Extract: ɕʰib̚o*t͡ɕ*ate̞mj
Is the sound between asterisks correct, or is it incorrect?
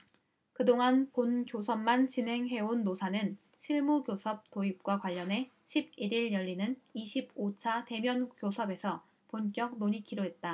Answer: incorrect